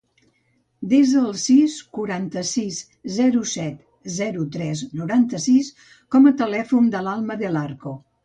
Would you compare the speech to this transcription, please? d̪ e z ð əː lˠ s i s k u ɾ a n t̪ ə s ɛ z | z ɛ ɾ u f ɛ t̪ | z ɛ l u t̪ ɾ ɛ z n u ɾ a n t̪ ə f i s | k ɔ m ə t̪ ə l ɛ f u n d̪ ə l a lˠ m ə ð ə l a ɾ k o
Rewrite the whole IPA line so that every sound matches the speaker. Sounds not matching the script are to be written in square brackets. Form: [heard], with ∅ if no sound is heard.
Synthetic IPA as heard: d̪ e z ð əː lˠ s i s k u ɾ a n t̪ ə s [i] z | z ɛ ɾ u [s] ɛ t̪ | z ɛ [ɾ] u t̪ ɾ ɛ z n u ɾ a n t̪ ə [s] i s | k ɔ m ə t̪ ə l ɛ f u n d̪ ə l a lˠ m ə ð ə l a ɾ k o